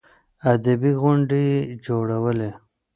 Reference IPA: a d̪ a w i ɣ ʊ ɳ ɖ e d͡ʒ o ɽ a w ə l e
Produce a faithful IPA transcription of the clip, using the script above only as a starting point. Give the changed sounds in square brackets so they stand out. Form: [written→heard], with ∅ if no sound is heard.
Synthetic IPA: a d̪ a [w→b] i ɣ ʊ ɳ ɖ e d͡ʒ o ɽ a w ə l e